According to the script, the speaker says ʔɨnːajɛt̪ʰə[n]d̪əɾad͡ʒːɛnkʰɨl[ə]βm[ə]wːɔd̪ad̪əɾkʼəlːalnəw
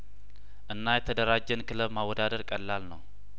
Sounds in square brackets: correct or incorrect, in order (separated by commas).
incorrect, correct, incorrect